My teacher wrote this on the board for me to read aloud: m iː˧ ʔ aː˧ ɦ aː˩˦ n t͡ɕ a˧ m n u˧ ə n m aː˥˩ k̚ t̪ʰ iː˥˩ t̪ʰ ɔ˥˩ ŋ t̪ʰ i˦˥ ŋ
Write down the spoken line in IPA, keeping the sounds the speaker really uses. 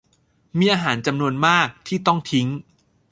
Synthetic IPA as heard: m iː˧ ʔ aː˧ ɦ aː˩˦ n t͡ɕ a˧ m n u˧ ə n m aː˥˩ k̚ t̪ʰ iː˥˩ t̪ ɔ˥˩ ŋ t̪ʰ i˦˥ ŋ